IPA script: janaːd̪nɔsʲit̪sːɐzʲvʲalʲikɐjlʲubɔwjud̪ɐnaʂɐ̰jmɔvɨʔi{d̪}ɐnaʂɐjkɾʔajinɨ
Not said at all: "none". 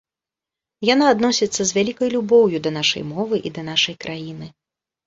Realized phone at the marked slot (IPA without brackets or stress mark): d̪